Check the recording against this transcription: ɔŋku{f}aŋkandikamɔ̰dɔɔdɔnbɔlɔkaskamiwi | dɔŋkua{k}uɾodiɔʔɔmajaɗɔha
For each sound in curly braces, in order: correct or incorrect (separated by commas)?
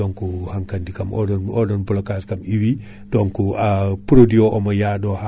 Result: incorrect, incorrect